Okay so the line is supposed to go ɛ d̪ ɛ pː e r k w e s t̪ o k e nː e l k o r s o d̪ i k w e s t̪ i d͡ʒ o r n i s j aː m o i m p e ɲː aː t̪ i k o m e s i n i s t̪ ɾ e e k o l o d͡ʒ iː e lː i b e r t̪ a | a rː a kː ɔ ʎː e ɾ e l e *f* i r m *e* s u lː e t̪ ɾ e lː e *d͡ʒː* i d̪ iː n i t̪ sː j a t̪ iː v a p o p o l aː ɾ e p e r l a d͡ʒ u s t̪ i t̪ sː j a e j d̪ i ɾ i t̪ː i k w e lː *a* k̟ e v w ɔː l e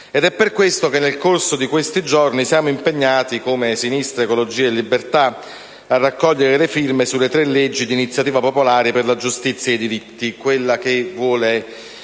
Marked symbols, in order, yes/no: yes, yes, yes, yes

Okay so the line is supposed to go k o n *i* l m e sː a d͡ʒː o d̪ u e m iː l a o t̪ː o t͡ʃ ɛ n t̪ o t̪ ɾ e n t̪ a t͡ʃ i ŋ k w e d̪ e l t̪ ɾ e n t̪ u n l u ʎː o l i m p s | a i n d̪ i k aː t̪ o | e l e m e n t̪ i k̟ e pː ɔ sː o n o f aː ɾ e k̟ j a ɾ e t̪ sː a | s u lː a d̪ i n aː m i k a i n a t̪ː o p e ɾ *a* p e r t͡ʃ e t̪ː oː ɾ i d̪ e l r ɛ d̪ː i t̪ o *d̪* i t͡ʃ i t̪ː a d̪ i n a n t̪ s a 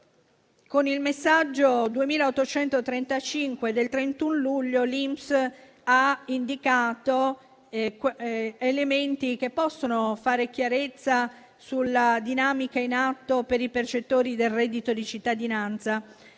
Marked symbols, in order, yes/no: yes, no, yes

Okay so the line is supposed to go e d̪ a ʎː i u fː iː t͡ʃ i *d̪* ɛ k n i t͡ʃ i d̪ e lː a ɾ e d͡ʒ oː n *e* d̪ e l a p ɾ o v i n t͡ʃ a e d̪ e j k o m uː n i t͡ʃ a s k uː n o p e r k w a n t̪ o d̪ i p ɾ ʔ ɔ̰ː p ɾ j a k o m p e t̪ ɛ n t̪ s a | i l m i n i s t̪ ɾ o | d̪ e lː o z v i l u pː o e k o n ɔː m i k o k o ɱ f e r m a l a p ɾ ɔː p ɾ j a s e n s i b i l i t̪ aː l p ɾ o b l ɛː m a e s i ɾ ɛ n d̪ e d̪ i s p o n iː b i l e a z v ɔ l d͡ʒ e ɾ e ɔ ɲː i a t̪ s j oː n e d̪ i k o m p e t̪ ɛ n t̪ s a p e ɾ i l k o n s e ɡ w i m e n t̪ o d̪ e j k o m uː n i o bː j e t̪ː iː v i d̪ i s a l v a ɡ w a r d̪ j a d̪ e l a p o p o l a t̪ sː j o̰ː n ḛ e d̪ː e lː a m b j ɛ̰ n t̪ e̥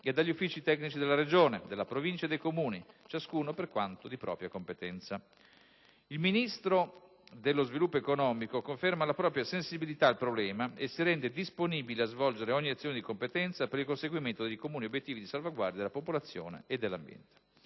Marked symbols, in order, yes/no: no, yes

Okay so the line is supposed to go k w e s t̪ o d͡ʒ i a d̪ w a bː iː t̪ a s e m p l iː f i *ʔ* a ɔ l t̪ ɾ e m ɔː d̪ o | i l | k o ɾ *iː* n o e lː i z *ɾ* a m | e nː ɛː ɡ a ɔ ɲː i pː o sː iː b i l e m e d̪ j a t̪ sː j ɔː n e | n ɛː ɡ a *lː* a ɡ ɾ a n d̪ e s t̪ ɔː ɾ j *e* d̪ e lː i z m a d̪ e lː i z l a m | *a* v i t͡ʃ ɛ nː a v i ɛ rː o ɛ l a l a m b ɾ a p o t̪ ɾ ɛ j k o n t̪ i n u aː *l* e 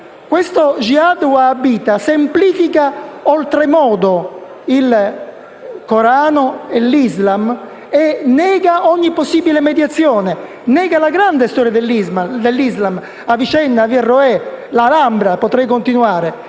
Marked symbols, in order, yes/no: no, no, no, no, no, yes, no

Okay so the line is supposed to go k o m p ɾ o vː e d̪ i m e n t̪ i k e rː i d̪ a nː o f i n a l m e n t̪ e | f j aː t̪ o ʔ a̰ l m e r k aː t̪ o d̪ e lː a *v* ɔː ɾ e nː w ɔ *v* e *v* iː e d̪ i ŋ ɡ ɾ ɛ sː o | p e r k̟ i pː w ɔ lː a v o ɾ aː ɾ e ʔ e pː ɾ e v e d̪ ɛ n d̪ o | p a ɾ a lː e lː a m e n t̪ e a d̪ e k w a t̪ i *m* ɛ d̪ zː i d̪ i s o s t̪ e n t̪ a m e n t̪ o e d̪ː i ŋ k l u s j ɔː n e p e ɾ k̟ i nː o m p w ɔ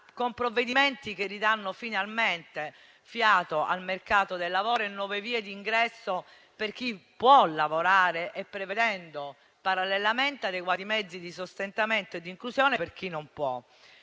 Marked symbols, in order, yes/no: yes, yes, yes, yes

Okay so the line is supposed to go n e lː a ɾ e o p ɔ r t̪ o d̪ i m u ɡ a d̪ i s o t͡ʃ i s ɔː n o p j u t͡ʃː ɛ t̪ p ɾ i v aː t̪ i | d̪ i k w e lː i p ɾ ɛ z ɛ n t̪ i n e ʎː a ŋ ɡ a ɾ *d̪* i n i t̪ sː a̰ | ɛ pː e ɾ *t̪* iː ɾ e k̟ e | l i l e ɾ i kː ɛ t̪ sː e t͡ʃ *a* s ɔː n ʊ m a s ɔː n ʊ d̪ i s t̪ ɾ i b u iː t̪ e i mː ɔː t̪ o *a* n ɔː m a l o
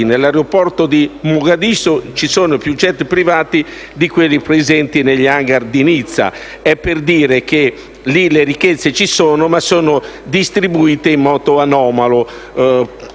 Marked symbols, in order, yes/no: yes, no, no, yes

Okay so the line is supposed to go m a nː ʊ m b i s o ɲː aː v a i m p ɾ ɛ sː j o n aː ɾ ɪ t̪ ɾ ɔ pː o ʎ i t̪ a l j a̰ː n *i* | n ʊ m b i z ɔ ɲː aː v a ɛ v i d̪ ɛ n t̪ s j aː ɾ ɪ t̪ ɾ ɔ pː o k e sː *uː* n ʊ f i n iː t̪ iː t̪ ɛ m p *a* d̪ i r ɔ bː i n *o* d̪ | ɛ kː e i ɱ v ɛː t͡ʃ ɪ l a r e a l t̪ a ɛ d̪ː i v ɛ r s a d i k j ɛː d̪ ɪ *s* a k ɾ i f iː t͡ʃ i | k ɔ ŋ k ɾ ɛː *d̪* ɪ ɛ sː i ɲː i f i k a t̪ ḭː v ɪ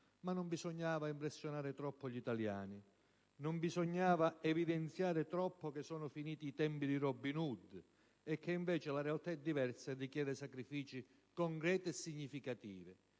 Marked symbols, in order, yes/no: yes, no, no, no, yes, no

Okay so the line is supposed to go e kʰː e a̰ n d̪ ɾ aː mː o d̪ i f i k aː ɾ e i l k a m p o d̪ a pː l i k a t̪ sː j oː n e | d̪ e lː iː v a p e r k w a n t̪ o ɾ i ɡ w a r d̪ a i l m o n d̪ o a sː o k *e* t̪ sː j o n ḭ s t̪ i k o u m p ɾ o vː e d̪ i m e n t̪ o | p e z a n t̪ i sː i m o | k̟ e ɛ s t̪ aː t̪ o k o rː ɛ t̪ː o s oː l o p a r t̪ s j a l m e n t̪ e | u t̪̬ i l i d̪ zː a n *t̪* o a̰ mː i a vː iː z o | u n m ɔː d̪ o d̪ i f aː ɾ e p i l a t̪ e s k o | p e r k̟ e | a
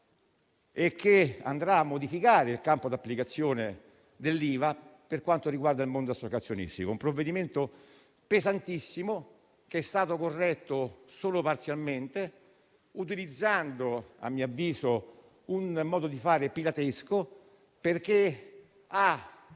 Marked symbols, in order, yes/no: no, no

